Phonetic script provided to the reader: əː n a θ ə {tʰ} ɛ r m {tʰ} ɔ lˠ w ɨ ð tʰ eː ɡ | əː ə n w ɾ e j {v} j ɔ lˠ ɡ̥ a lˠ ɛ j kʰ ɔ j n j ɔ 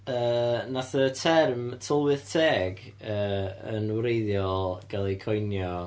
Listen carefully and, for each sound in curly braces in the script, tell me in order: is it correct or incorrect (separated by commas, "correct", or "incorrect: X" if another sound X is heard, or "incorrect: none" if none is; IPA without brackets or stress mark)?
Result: correct, correct, incorrect: ð